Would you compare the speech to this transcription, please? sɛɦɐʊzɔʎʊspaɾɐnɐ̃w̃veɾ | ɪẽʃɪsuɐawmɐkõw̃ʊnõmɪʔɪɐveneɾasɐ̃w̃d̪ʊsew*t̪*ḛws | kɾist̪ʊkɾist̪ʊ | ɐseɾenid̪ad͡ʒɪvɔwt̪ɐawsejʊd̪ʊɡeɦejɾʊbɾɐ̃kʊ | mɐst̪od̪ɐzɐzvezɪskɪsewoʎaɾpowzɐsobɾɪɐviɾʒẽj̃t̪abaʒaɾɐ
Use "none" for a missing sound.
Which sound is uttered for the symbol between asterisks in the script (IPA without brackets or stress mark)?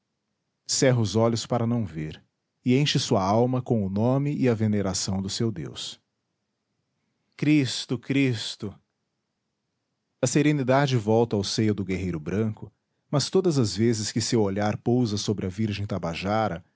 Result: d̪